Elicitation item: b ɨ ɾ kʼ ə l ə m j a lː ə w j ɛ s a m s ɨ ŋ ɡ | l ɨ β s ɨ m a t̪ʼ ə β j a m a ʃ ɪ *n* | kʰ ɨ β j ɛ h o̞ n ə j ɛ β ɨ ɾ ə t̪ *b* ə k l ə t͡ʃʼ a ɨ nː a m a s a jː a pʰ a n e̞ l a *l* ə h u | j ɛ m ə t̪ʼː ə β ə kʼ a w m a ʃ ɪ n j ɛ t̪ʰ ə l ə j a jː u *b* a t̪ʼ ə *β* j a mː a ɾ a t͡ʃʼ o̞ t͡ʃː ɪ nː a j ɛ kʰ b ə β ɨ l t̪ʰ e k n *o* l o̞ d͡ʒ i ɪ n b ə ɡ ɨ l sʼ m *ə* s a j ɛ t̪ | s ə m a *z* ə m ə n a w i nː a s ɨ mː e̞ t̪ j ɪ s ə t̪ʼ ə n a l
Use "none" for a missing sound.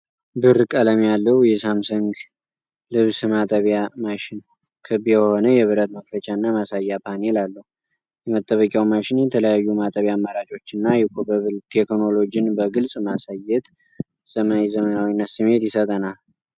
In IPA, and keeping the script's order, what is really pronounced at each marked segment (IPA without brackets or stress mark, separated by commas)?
n, m, lː, m, β, o, a, z